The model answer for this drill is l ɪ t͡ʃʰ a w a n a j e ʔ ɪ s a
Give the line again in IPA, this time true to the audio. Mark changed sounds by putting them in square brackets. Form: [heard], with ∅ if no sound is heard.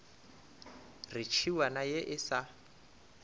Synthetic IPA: [r] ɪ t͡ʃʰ [i] w a n a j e ʔ ɪ s a